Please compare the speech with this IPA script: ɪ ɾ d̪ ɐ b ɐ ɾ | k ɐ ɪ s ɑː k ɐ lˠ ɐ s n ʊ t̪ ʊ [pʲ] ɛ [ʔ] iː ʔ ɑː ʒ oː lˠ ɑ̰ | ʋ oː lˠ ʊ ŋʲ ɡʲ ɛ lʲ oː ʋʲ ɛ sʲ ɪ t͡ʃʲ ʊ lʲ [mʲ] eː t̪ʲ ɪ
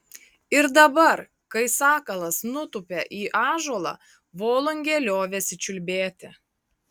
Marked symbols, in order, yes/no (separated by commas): yes, yes, no